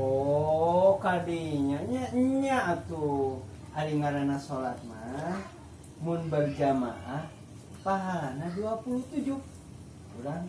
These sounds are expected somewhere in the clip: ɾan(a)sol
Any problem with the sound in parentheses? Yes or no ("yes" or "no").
no